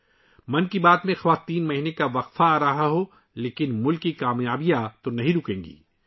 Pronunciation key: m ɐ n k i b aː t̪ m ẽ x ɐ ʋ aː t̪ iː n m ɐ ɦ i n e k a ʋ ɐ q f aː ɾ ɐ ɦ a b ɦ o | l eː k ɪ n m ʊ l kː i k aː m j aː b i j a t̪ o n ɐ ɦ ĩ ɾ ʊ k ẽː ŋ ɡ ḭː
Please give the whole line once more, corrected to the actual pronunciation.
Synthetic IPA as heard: m ɐ n k i b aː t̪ m ẽ x ɐ ʋ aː t̪ iː n m ɐ ɦ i n e k a ʋ ɐ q f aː ɾ ɐ ɦ a ɦ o | l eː k ɪ n m ʊ l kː i k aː m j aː b i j a t̪ o n ɐ ɦ ĩ ɾ ʊ k ẽː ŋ ɡ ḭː